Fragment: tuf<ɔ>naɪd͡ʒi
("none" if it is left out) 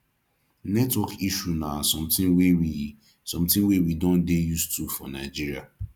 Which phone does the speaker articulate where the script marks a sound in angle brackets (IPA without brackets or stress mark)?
ɔ